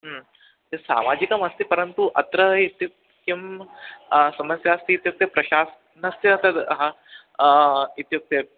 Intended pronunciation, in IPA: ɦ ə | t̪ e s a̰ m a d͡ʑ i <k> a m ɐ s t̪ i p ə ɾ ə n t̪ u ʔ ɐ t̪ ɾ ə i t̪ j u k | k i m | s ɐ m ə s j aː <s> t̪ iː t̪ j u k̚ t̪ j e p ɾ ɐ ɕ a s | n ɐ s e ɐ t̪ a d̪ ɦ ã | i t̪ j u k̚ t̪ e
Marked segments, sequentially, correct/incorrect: correct, correct

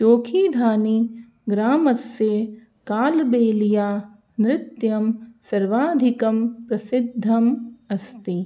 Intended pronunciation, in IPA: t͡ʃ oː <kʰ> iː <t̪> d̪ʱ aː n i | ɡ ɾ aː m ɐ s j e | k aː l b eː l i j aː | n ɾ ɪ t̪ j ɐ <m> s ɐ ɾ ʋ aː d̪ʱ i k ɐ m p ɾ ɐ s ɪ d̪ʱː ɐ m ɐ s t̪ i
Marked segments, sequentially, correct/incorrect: correct, incorrect: none, correct

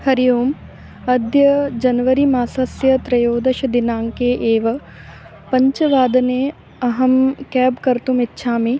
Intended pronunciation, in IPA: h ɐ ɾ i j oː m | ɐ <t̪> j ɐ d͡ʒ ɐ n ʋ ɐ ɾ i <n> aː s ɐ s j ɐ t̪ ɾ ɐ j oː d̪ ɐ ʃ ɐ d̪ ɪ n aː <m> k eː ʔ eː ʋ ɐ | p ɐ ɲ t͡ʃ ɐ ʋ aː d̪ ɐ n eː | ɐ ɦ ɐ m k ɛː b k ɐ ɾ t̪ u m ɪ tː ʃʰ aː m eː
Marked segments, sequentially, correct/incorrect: incorrect: d̪, incorrect: m, incorrect: ŋ

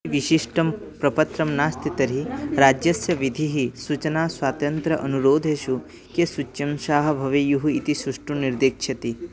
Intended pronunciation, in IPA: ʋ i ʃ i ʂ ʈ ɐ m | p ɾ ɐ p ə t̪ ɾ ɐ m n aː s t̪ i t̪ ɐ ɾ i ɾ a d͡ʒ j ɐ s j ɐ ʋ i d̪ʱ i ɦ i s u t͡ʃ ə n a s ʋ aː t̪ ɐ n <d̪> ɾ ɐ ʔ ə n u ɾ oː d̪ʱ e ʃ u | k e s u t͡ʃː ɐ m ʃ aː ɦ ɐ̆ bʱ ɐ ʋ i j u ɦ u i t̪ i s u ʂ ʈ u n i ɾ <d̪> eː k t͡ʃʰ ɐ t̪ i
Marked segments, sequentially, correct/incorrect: incorrect: t̪, correct

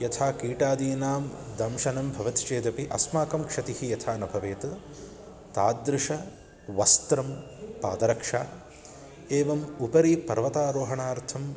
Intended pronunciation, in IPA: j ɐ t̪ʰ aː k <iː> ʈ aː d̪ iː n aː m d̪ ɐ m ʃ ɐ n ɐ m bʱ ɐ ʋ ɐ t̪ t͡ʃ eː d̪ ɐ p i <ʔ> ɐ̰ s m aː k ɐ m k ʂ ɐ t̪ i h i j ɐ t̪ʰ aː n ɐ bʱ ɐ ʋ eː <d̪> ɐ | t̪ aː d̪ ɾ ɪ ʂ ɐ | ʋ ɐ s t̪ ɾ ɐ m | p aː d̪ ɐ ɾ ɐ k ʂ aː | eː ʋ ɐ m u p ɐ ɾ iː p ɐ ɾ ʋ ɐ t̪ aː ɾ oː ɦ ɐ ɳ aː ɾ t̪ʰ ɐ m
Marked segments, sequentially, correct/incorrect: correct, correct, incorrect: t̪

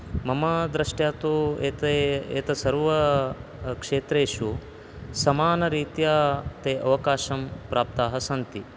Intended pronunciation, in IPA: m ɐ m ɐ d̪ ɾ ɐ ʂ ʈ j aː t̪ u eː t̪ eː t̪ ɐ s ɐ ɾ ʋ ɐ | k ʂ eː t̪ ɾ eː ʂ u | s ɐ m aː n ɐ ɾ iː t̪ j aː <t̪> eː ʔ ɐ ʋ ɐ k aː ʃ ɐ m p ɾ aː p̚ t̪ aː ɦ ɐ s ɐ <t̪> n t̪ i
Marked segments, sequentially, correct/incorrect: correct, incorrect: none

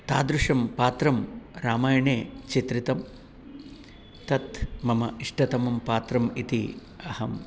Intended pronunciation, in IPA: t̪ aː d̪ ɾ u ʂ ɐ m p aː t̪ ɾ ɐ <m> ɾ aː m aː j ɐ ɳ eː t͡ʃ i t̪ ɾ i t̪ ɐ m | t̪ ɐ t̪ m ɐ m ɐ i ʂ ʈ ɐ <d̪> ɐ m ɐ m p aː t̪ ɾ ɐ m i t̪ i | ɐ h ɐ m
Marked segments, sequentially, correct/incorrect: correct, incorrect: t̪

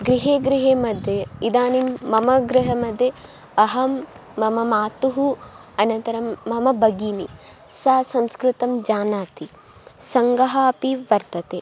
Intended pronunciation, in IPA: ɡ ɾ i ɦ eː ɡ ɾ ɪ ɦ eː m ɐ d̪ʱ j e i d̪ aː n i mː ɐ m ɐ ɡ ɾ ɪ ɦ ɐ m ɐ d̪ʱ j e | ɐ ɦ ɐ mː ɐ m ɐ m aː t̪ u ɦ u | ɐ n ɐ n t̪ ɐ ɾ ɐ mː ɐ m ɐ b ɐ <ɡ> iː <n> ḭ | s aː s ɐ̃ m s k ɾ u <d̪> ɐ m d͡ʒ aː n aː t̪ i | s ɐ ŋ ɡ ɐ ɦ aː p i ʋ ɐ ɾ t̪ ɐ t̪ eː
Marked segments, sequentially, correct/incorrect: correct, correct, incorrect: t̪

